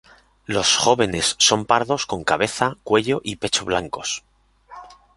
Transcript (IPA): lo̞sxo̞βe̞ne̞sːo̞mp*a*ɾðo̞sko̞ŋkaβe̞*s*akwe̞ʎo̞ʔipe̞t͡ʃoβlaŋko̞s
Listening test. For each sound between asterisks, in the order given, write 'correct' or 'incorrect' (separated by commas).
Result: correct, incorrect